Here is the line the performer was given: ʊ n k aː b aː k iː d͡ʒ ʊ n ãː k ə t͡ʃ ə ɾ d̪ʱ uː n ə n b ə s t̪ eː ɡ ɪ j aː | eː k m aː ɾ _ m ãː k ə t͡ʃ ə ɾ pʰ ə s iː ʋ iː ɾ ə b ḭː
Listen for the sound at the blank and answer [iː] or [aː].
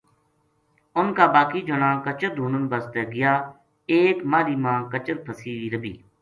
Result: iː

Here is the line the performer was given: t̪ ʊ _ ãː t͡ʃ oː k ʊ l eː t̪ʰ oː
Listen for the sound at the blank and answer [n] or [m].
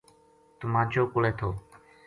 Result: m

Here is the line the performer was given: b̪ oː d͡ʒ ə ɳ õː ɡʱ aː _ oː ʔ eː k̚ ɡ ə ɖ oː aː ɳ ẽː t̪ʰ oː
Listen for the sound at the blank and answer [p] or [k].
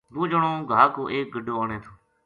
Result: k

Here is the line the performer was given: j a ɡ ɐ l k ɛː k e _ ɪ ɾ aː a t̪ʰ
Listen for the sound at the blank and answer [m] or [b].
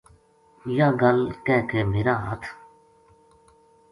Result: m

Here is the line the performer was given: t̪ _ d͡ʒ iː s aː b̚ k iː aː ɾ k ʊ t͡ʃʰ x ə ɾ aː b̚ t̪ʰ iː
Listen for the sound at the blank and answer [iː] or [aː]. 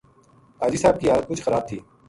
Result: aː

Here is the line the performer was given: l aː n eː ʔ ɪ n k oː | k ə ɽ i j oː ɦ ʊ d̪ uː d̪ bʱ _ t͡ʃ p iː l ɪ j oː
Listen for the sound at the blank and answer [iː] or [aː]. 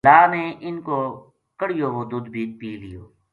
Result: iː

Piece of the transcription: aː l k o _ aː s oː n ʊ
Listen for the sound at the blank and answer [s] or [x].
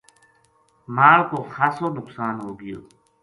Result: x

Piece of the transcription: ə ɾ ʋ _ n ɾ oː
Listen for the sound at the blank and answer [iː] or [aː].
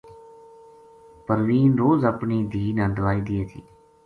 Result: iː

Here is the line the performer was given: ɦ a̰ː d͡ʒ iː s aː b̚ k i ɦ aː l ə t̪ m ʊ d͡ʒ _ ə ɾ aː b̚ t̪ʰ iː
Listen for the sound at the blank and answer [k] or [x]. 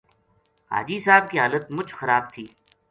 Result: x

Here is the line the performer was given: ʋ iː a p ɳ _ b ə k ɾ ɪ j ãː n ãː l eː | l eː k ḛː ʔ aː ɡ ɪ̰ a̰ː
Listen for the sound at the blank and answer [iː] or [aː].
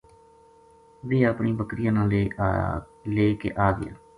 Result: iː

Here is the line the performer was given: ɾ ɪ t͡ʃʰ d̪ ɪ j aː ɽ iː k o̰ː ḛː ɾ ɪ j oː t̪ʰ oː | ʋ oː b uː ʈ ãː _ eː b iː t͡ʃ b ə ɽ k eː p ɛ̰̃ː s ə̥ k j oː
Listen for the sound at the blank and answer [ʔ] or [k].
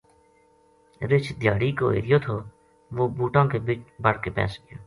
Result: k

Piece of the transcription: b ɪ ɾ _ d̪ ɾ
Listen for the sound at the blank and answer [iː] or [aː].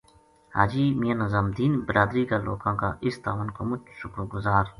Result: aː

